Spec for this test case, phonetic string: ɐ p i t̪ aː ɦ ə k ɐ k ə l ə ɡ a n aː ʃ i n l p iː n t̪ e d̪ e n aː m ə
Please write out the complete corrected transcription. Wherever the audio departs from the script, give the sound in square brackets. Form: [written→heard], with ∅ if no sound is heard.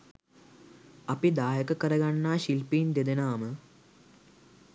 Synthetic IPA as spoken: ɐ p i [t̪→d̪] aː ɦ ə k [ɐ→ə] k ə [l→ɾ] ə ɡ a [n→nː] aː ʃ i [n→∅] l p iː n [t̪→d̪] e d̪ e n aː m ə